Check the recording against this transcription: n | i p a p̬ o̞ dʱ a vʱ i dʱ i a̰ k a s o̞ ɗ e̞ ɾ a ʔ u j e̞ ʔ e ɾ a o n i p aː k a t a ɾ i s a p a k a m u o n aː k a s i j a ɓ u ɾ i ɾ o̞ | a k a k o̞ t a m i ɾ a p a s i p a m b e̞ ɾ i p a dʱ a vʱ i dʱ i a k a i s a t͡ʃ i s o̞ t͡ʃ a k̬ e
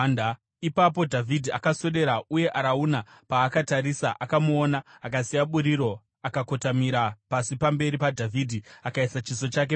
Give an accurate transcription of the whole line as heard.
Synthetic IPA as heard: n | i p a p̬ o̞ dʱ a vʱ i dʱ i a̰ k a s o̞ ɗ e̞ ɾ a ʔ u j e̞ ʔ a ɾ a u n a p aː k a t a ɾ i s a ʔ a k a m u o n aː k a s i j a ɓ u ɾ i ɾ o̞ | a k a k o̞ t a m i ɾ a p a s i p a m b e̞ ɾ i p a dʱ a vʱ i dʱ i a k a i s a t͡ʃ i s o̞ t͡ʃ a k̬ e